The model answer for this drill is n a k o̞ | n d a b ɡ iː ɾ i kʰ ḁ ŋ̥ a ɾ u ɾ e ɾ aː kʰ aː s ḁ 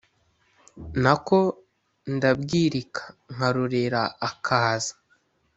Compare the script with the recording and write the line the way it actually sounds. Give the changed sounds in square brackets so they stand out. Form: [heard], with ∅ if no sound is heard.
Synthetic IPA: n a k o̞ | n d a b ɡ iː ɾ i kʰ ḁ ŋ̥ a ɾ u ɾ e ɾ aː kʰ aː [z] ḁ

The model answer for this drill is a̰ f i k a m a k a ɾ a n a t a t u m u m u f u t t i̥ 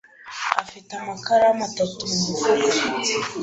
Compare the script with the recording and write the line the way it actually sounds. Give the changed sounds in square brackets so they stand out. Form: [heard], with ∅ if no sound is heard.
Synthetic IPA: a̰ f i [t] a m a k a ɾ a [m] a t a t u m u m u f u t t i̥

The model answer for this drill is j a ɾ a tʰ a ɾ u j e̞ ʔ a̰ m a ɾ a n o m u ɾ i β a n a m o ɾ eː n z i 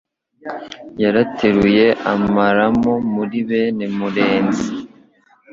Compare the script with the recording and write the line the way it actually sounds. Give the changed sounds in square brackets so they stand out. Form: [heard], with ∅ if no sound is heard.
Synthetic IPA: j a ɾ a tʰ [e] ɾ u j e̞ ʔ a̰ m a ɾ a [m] o m u ɾ i β [e] n [e] m [u] ɾ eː n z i

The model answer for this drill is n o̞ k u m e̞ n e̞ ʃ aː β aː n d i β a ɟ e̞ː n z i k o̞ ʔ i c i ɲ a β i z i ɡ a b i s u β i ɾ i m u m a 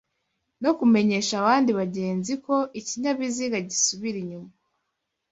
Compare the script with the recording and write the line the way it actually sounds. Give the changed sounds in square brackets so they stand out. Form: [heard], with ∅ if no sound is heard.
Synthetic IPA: n o̞ k u m e̞ [ɲ] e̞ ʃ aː β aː n d i β a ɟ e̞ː n z i k o̞ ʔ i c i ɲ a β i z i ɡ a [ɟ] i s u β i ɾ i [ɲ] u m a

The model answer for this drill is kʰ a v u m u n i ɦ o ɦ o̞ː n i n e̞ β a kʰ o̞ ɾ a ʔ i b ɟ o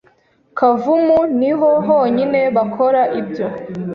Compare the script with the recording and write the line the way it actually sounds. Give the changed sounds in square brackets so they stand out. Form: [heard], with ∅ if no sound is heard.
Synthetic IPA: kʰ a v u m u n i ɦ o ɦ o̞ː [ɲ] i n e̞ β a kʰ o̞ ɾ a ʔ i b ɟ o

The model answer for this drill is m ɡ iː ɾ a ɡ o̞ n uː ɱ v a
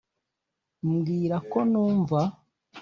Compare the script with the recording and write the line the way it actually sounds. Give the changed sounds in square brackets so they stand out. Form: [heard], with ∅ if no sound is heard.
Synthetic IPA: m ɡ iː ɾ a [k] o̞ n uː ɱ v a

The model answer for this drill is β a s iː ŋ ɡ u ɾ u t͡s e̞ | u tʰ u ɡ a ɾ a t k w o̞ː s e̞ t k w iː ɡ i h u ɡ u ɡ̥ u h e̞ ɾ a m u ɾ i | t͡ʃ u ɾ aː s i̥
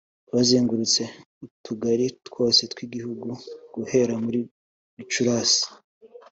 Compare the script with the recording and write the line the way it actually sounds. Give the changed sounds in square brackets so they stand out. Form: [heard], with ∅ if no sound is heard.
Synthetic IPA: β a [z] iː ŋ ɡ u ɾ u t͡s e̞ | u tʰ u ɡ a ɾ [i] t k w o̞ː s e̞ t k w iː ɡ i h u ɡ u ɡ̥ u h e̞ ɾ a m u ɾ i | t͡ʃ u ɾ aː s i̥

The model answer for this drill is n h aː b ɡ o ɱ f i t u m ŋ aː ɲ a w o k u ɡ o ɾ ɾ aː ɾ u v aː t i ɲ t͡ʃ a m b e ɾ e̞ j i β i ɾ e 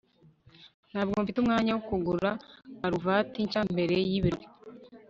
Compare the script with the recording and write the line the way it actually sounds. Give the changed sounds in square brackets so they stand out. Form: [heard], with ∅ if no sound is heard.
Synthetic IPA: n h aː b ɡ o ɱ f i t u m ŋ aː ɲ a w o k u ɡ [u] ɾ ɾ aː ɾ u v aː t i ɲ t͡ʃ a m b e ɾ e̞ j i β i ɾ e

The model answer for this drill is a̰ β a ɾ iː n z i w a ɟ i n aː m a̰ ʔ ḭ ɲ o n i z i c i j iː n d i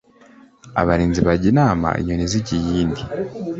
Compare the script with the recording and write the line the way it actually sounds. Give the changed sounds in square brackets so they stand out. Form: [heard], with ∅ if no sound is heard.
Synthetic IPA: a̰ β a ɾ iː n z i [β] a ɟ i n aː m a̰ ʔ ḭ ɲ o n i z i [ɟ] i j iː n d i

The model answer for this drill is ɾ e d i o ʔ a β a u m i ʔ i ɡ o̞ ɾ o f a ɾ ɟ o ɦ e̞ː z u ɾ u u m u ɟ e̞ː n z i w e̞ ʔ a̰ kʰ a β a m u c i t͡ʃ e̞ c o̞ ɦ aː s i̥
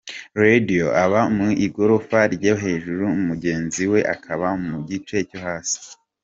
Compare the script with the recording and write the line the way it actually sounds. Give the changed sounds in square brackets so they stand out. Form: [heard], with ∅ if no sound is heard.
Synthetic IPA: ɾ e d i o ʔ a β a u m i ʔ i ɡ o̞ ɾ o f a ɾ ɟ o ɦ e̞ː [ʒ] u ɾ u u m u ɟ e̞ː n z i w e̞ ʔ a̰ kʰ a β a m u [ɟ] i t͡ʃ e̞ c o̞ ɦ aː s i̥

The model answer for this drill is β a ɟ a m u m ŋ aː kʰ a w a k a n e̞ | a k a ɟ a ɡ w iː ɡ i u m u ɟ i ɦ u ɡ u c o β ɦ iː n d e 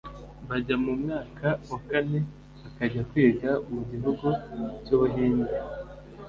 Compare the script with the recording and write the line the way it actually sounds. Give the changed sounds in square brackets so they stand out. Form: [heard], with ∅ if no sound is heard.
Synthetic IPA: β a ɟ a m u m ŋ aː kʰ a w a k a n e̞ | a k a ɟ a [k] w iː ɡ [a] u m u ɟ i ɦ u ɡ u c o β ɦ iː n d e

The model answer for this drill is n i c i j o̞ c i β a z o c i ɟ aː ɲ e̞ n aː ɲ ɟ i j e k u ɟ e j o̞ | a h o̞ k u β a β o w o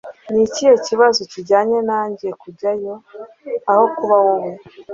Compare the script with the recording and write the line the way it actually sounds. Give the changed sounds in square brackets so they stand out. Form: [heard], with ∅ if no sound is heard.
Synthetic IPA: n i c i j o̞ c i β a z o c i ɟ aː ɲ e̞ n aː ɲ ɟ i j e k u ɟ [a] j o̞ | a h o̞ k u β a [w] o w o

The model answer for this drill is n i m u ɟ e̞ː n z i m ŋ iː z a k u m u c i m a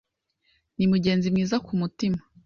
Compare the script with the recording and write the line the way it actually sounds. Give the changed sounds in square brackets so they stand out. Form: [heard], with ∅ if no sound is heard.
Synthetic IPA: n i m u ɟ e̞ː n z i m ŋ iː z a k u m u [t] i m a

